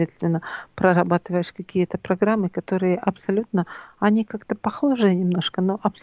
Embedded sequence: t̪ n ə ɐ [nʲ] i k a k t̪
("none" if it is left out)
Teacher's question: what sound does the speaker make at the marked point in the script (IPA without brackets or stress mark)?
nʲ